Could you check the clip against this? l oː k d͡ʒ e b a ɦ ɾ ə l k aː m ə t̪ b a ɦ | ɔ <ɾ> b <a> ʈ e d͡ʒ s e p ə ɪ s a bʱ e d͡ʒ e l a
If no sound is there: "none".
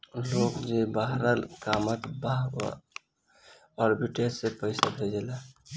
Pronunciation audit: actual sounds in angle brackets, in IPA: ɾ, i

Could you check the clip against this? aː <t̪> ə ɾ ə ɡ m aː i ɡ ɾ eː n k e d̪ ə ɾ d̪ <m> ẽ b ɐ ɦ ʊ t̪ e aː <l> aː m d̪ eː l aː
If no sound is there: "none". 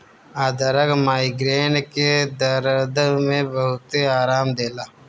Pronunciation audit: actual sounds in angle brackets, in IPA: d̪, m, ɾ

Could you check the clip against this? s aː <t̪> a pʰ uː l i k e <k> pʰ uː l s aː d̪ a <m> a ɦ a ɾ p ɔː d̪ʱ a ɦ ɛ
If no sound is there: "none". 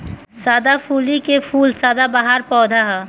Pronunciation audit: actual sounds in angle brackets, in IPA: d̪, none, b

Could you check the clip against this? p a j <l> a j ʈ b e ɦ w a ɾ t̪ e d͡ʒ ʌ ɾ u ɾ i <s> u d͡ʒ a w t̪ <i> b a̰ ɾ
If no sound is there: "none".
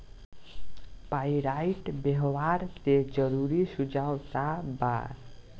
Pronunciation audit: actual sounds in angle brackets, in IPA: ɾ, s, a

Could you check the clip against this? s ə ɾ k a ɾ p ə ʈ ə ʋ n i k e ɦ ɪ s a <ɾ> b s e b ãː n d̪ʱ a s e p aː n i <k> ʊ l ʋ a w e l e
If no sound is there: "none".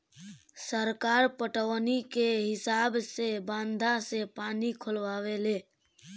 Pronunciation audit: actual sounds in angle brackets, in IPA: none, kʰ

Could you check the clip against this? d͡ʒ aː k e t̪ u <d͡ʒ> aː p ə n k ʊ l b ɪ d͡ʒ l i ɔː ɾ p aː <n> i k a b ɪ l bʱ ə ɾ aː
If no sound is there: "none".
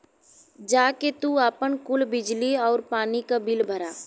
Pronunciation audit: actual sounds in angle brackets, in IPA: none, n

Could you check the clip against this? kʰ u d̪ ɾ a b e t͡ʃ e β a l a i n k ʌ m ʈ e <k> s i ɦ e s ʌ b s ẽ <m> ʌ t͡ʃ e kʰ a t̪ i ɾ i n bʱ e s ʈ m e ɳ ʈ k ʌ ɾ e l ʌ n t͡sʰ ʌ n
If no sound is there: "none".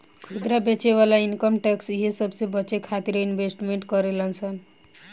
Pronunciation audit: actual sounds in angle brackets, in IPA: k, b

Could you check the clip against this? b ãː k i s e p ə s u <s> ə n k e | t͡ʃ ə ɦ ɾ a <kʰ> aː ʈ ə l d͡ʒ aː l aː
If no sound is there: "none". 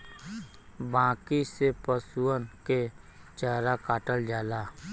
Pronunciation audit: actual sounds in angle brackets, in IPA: none, k

